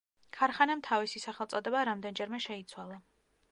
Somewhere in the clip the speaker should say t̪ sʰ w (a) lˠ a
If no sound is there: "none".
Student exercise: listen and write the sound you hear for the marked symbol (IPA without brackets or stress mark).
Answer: a